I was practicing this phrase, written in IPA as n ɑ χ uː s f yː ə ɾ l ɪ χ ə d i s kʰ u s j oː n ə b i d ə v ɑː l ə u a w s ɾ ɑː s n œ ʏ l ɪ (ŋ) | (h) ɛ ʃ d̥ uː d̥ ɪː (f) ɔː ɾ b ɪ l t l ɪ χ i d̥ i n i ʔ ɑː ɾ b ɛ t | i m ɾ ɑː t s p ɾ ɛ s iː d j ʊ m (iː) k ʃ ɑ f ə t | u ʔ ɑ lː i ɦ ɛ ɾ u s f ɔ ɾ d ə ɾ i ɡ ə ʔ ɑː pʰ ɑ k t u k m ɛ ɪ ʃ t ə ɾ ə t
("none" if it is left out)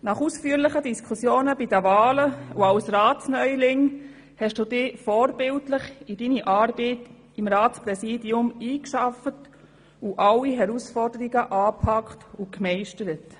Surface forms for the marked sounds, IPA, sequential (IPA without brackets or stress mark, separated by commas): ŋ, h, f, iː